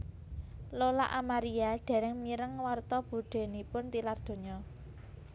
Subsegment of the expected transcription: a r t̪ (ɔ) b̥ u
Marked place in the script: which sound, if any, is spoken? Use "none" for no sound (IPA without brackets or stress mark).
ɔ